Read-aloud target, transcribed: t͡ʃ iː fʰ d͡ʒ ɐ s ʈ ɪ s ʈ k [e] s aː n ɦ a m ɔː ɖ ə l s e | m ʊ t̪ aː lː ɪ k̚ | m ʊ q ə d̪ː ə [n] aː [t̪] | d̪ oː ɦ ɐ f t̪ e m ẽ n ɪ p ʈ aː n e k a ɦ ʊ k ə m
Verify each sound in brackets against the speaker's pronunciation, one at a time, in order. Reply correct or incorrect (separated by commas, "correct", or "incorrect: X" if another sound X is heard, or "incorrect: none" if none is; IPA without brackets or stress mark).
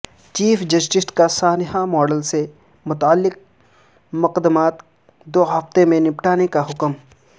incorrect: a, incorrect: m, correct